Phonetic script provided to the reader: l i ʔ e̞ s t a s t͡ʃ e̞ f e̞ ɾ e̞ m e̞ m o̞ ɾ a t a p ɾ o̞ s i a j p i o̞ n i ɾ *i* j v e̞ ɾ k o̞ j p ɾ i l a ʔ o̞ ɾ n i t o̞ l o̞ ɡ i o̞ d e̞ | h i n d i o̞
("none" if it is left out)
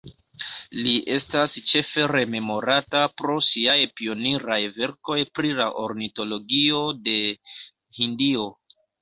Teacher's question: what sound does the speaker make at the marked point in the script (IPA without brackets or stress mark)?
a